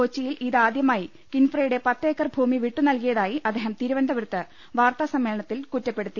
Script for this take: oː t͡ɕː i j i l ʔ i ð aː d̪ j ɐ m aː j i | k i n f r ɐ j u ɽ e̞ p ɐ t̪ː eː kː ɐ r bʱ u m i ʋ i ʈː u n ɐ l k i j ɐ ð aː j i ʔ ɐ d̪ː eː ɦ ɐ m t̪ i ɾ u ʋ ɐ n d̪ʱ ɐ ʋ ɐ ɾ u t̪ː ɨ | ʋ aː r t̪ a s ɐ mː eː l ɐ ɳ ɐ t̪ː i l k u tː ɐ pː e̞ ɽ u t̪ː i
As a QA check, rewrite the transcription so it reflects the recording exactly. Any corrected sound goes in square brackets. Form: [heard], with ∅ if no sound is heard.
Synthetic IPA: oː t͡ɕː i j i l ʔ i ð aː d̪ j ɐ m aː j i | k i n f r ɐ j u ɽ e̞ p ɐ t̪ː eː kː ɐ r bʱ [uː] m i ʋ i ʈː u n ɐ l k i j ɐ ð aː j i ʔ ɐ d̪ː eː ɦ ɐ m t̪ i ɾ u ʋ ɐ n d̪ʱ ɐ ʋ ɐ ɾ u t̪ː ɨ | ʋ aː r t̪ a s ɐ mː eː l ɐ ɳ ɐ t̪ː i l k u tː ɐ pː e̞ ɽ u t̪ː i